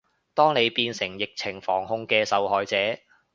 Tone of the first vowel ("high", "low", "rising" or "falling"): high